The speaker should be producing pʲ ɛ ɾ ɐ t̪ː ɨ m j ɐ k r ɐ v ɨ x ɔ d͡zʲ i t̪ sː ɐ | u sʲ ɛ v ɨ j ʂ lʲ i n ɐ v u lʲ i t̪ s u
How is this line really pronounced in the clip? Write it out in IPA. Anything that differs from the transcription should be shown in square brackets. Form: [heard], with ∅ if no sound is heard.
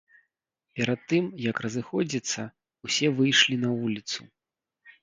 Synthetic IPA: pʲ ɛ ɾ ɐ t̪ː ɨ m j ɐ k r ɐ [z] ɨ x ɔ d͡zʲ i t̪ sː ɐ | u sʲ ɛ v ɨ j ʂ lʲ i n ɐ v u lʲ i t̪ s u

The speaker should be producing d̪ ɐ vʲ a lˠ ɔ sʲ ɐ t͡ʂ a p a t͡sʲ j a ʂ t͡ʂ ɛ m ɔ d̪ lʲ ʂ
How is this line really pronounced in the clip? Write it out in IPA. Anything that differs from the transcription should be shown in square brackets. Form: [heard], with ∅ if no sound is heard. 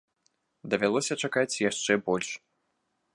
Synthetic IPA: d̪ ɐ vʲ a lˠ ɔ sʲ ɐ t͡ʂ a [k] a t͡sʲ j a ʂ t͡ʂ ɛ [b] ɔ [∅] lʲ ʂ

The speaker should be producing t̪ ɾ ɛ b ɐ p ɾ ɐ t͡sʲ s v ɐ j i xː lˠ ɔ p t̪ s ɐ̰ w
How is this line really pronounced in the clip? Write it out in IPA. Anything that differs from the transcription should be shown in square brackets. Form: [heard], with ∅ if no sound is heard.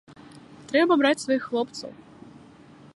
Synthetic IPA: t̪ ɾ ɛ b ɐ [b] ɾ [a] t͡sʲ s v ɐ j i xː lˠ ɔ p t̪ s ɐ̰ w

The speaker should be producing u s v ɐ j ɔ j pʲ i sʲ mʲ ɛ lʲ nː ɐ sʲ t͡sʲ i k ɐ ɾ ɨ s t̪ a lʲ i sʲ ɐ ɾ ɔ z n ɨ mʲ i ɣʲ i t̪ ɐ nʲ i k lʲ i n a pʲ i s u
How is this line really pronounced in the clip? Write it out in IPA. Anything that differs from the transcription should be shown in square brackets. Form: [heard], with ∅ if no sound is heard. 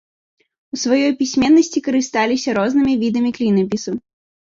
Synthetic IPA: u s v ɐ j ɔ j pʲ i sʲ mʲ ɛ [∅] nː ɐ sʲ t͡sʲ i k ɐ ɾ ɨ s t̪ a lʲ i sʲ ɐ ɾ ɔ z n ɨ mʲ i [vʲ] i [d̪] ɐ [mʲ] i k lʲ i n [ɐ] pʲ i s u

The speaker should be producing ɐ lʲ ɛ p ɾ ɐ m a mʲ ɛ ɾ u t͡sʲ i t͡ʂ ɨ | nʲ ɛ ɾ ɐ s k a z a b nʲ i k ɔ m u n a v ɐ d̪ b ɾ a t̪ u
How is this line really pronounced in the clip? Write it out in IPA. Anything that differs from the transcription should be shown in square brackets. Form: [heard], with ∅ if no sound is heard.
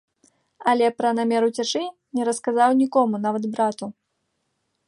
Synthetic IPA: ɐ lʲ ɛ p ɾ ɐ [n] a mʲ ɛ ɾ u t͡sʲ [a] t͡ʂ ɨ | nʲ ɛ ɾ ɐ s k a z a [w] nʲ i k ɔ m u n a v ɐ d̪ b ɾ a t̪ u

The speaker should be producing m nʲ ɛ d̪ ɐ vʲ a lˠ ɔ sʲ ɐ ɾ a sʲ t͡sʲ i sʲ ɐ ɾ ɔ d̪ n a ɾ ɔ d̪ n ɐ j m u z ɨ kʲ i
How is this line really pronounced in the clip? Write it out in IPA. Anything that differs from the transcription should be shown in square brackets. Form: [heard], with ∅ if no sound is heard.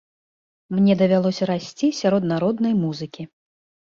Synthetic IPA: m nʲ ɛ d̪ ɐ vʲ a lˠ ɔ sʲ ɐ ɾ a sʲ t͡sʲ i sʲ [a] ɾ ɔ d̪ n a ɾ ɔ d̪ n ɐ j m u z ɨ kʲ i

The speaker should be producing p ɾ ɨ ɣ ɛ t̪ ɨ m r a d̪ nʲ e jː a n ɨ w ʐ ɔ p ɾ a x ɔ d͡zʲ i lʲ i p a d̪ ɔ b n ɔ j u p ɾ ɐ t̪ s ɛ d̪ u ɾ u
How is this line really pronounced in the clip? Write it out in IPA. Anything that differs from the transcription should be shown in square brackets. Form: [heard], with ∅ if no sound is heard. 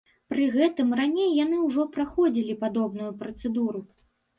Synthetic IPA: p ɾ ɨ ɣ ɛ t̪ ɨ m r a [∅] nʲ e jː a n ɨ w ʐ ɔ p ɾ a x ɔ d͡zʲ i lʲ i p a d̪ ɔ b n [u] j u p ɾ ɐ t̪ s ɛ d̪ u ɾ u

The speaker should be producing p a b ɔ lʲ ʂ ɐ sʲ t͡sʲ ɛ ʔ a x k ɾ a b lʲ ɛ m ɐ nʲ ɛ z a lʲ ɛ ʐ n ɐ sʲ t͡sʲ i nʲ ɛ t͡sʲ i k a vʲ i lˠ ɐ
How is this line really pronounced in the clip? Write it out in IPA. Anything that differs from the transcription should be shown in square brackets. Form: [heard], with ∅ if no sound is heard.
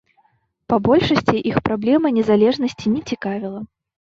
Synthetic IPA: p a b ɔ lʲ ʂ ɐ sʲ t͡sʲ [i] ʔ [i] x [p] ɾ a b lʲ ɛ m ɐ nʲ ɛ z a lʲ ɛ ʐ n ɐ sʲ t͡sʲ i nʲ ɛ t͡sʲ i k a vʲ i lˠ ɐ

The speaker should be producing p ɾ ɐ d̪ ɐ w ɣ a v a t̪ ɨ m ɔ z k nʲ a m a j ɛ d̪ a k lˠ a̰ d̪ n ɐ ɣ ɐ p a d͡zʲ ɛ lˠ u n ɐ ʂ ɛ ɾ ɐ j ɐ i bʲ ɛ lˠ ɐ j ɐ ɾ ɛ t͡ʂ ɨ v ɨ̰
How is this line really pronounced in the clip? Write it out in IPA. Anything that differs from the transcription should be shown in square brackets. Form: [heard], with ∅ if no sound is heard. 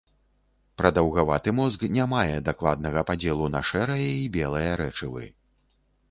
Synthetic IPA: p ɾ ɐ d̪ ɐ w ɣ a v a t̪ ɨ m ɔ z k nʲ a m a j ɛ d̪ a k lˠ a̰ d̪ n ɐ ɣ ɐ p a d͡zʲ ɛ lˠ u n ɐ ʂ ɛ ɾ ɐ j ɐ i bʲ ɛ lˠ ɐ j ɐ ɾ ɛ t͡ʂ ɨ v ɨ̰

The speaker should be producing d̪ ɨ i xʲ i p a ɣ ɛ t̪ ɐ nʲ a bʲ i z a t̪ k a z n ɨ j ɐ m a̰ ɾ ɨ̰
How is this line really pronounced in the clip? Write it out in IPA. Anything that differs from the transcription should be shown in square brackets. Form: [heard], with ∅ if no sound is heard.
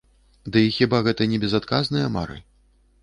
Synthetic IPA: d̪ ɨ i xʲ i [b] a ɣ ɛ t̪ ɐ nʲ [ɛ] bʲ [ɛ] z a t̪ k a z n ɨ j ɐ m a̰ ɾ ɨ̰

